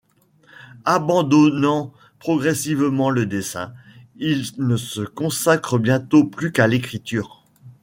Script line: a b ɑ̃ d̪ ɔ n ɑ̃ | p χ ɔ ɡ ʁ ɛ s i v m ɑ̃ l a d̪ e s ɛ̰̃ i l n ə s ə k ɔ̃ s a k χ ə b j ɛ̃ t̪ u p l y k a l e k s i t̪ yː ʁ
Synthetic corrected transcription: a b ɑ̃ d̪ ɔ n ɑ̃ | p χ ɔ ɡ ʁ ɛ s i v m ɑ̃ l ə d̪ e s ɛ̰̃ i l n ə s ə k ɔ̃ s a k χ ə b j ɛ̃ t̪ o p l y k a l e k χ i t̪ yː ʁ